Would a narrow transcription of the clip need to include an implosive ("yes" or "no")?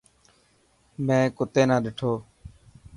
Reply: yes